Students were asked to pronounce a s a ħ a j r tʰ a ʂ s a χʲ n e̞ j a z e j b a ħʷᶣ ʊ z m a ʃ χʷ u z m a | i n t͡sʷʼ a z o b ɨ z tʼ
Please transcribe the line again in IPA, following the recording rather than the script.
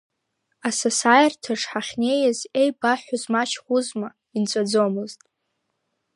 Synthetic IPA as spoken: a s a s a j r tʰ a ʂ ħ a χʲ n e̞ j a z e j b a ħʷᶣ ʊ z m a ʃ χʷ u z m a | i n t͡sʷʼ a d͡z o m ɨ z tʼ